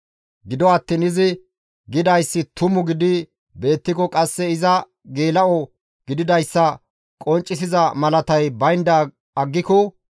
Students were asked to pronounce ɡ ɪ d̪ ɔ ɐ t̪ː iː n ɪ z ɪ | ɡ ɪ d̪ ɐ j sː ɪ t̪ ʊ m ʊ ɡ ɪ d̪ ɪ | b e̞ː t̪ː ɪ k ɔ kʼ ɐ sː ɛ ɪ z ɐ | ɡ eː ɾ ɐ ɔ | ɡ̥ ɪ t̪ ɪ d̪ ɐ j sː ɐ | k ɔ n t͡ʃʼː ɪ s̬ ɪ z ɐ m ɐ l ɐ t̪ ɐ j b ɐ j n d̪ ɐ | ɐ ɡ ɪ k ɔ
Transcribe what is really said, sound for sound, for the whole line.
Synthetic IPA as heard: ɡ ɪ d̪ ɔ ɐ t̪ː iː n ɪ z ɪ | ɡ ɪ d̪ ɐ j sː ɪ t̪ ʊ m ʊ ɡ ɪ d̪ ɪ | b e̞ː t̪ː ɪ k ɔ kʼ ɐ sː ɛ ɪ z ɐ | ɡ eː l ɐ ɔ | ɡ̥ ɪ d̪ ɪ d̪ ɐ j sː ɐ | kʼ ɔ n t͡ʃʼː ɪ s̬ ɪ z ɐ m ɐ l ɐ t̪ ɐ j b ɐ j n d̪ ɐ | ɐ ɡː ɪ k ɔ

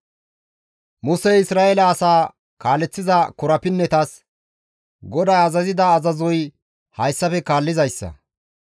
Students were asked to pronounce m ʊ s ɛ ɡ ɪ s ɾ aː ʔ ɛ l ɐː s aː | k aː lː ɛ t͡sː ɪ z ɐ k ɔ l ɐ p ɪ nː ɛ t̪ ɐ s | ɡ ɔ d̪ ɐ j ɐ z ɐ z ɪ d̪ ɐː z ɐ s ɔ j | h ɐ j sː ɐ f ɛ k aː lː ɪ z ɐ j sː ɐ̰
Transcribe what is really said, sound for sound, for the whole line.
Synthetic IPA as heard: m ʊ s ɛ ɪ s ɾ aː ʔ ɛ l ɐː s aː | k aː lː ɛ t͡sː ɪ z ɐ k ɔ ɾ ɐ p ɪ nː ɛ t̪ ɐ s | ɡ ɔ d̪ ɐ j ɐ z ɐ z ɪ d̪ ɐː z ɐ z ɔ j | h ɐ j sː ɐ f ɛ k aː lː ɪ z ɐ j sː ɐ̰

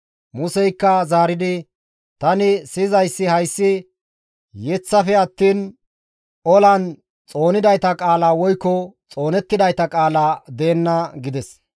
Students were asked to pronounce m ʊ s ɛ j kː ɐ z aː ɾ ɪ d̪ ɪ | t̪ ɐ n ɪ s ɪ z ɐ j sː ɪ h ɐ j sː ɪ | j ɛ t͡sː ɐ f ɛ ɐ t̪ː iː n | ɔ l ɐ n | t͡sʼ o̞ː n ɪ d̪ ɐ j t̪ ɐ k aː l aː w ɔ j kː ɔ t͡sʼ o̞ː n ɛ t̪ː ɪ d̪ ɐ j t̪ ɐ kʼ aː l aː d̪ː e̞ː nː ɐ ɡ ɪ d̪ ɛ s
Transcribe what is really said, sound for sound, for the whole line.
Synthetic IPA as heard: m ʊ s ɛ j kː ɐ z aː ɾ ɪ d̪ ɪ | t̪ ɐ n ɪ s ɪ z ɐ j sː ɪ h ɐ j sː ɪ | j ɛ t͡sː ɐ f ɛ ɐ t̪ː iː n | ɔ l ɐ n | t͡sʼ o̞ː n ɪ d̪ ɐ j t̪ ɐ kʼ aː l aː w ɔ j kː ɔ t͡sʼ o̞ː n ɛ t̪ː ɪ d̪ ɐ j t̪ ɐ kʼ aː l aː d̪ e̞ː nː ɐ ɡ ɪ d̪ ɛ s

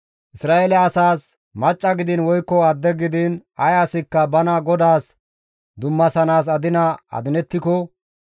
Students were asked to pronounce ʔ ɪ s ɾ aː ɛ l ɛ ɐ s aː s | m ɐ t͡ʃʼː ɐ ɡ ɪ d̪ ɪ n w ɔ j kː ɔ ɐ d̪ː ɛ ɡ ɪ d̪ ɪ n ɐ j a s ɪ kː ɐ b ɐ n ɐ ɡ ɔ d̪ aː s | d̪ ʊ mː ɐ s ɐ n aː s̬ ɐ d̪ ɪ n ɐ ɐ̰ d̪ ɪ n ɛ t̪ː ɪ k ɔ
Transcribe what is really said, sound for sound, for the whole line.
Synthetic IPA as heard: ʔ ɪ s ɾ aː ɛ l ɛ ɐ s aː s | m ɐ t͡ʃʼː ɐ ɡ ɪ d̪ ɪ n w ɔ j kː ɔ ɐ d̪ː ɛ ɡ ɪ d̪ ɪ n ɐ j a s ɪ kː ɐ b ɐ n ɐ ɡ ɔ d̪ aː s | d̪ ʊ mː ɐ s ɐ n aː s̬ ɐ d̪ ɪ n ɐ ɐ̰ d̪ ɪ n ɛ t̪ː ɪ k ɔ

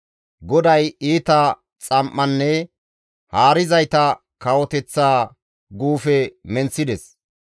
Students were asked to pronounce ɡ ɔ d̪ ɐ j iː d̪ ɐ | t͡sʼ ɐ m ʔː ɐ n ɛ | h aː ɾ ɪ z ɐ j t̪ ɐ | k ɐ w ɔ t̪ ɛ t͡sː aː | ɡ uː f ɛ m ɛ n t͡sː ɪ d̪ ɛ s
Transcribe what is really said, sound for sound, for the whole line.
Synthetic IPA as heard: ɡ ɔ d̪ ɐ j iː t̪ ɐ | t͡sʼ ɐ m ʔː ɐ nː ɛ | h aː ɾ ɪ z ɐ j t̪ ɐ | k ɐ w ɔ t̪ ɛ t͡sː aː | ɡ uː f ɛ m ɛ n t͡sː ɪ d̪ ɛ s

